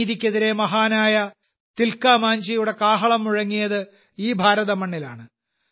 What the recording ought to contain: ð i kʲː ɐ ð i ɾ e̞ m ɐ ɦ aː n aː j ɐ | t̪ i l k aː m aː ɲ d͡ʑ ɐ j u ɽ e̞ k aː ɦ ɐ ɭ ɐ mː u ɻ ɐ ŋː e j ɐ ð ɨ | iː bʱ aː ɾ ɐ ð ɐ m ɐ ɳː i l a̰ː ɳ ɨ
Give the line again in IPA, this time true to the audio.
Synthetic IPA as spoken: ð i kʲː ɐ ð i ɾ e̞ m ɐ ɦ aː n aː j ɐ | t̪ i l k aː m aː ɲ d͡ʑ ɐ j u ɽ e̞ k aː ɦ ɐ ɭ ɐ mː u ɻ ɐ ŋː i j ɐ ð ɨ | iː bʱ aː ɾ ɐ ð ɐ m ɐ ɳː i l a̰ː ɳ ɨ